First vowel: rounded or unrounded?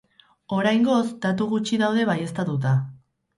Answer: rounded